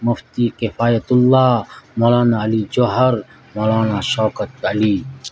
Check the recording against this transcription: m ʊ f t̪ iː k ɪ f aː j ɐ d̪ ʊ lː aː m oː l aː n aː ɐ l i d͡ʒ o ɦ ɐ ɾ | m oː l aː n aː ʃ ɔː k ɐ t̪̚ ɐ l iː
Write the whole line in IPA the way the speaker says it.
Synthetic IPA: m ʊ f t̪ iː k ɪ f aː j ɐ t̪ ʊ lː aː m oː l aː n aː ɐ l i d͡ʒ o ɦ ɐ ɾ | m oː l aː n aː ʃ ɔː k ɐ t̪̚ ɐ l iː